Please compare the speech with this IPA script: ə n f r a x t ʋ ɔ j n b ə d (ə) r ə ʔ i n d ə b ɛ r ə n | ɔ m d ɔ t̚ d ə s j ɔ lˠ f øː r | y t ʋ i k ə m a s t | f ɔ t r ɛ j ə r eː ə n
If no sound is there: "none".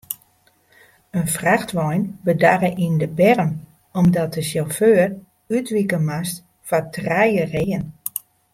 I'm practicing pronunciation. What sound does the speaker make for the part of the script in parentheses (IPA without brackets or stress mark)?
a